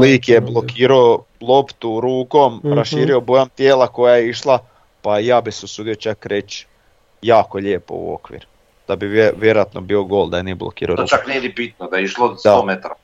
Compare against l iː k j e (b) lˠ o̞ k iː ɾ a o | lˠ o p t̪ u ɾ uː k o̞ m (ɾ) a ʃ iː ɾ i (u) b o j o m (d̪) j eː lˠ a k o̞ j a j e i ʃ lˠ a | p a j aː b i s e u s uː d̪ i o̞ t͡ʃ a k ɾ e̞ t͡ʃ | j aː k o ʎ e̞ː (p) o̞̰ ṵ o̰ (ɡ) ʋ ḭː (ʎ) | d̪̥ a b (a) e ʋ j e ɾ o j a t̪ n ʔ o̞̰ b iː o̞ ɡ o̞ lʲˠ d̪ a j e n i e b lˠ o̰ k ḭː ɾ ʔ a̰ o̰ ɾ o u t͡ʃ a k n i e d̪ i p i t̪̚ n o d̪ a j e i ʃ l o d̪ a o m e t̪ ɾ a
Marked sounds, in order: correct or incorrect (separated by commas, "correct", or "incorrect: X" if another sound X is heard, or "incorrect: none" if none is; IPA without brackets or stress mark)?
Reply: correct, correct, incorrect: o, incorrect: t̪, correct, incorrect: k, incorrect: ɾ, incorrect: i